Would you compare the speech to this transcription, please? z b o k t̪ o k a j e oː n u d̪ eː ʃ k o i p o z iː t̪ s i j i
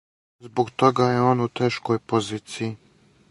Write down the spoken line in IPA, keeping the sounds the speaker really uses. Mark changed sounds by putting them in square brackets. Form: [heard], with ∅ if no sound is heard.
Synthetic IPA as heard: z b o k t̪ o [ɡ] a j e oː n u [t̪] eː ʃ k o [j] p o z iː t̪ s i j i